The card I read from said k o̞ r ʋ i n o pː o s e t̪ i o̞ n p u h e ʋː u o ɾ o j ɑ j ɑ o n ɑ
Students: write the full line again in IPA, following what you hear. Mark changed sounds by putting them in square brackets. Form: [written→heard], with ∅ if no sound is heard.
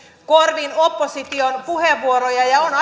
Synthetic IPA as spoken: k o̞ r ʋ i n o pː o s [e→i] t̪ i o̞ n p u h e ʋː u o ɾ o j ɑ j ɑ o n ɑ